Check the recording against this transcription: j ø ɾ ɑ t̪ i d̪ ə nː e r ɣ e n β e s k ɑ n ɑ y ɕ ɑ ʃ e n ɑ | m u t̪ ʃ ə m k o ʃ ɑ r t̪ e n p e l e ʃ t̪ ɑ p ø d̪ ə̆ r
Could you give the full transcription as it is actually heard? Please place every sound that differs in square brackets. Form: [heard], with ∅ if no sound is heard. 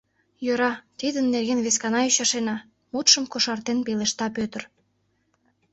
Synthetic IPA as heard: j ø ɾ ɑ t̪ i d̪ ə nː e r ɣ e n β e s k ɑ n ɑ y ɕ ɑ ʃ e n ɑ | m u t̪ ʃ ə m k o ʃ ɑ r t̪ e n p e l e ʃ t̪ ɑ p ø [t̪] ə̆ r